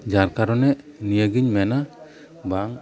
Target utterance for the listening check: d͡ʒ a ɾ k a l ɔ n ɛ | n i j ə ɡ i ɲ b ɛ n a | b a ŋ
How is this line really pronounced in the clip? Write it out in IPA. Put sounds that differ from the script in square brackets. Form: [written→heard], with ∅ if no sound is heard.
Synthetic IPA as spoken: d͡ʒ a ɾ k a [l→ɾ] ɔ n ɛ | n i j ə ɡ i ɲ [b→m] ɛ n a | b a ŋ